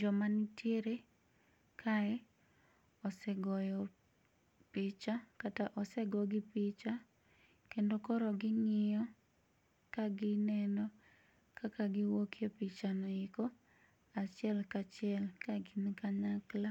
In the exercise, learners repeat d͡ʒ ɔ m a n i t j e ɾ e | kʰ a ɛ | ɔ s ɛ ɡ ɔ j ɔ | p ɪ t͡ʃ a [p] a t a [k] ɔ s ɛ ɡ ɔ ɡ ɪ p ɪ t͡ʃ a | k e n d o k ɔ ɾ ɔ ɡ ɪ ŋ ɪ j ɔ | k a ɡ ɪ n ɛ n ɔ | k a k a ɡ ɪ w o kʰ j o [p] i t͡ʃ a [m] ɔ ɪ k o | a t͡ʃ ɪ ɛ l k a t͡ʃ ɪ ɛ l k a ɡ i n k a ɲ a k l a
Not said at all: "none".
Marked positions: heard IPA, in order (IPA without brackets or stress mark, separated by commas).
k, ʔ, p, n